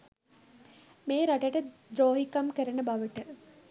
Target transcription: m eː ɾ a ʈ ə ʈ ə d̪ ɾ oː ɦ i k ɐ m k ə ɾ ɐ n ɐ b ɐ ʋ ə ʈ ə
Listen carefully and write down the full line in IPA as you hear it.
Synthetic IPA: m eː ɾ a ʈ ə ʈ ə d̪ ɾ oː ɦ i k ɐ m k ə ɾ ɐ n ə b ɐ ʋ ə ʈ ə